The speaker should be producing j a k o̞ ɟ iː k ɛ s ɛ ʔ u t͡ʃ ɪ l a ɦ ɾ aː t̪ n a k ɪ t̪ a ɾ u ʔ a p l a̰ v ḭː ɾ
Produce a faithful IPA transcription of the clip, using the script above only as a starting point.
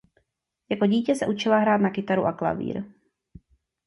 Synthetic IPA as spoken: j a k o̞ ɟ iː c ɛ s ɛ ʔ u t͡ʃ ɪ l a ɦ ɾ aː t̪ n a k ɪ t̪ a ɾ u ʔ a k l a̰ v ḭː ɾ